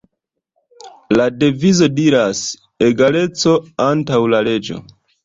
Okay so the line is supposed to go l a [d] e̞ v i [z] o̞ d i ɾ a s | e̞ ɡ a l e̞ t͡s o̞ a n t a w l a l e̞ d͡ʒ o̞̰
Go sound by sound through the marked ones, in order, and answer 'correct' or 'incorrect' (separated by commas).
correct, correct